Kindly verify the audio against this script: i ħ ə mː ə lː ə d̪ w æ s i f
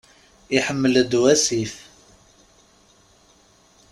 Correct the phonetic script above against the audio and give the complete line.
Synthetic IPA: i ħ ə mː ə l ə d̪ w æ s i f